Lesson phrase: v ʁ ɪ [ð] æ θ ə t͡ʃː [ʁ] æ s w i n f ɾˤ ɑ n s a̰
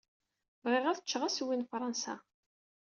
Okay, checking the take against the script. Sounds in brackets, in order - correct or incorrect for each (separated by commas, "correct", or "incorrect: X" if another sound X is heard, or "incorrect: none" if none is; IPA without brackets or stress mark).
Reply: incorrect: ʁ, correct